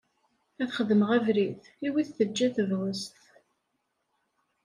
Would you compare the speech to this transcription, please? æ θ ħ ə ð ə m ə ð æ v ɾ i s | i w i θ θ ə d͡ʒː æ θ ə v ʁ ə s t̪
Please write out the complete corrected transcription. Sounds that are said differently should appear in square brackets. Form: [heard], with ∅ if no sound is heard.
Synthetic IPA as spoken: æ θ [χ] ə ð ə m ə [ʁ] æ v ɾ i [θ] | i w i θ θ ə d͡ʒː æ θ ə v ʁ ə s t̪